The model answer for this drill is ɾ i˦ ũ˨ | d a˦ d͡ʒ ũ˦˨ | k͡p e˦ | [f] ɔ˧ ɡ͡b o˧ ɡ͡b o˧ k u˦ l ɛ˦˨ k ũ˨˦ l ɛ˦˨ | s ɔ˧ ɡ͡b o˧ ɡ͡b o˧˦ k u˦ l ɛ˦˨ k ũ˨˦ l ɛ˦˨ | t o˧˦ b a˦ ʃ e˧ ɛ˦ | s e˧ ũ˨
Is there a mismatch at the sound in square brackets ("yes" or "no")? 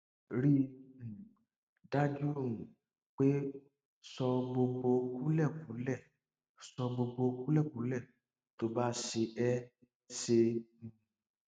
yes